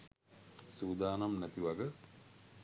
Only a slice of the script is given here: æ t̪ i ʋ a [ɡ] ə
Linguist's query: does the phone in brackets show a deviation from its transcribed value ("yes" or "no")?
no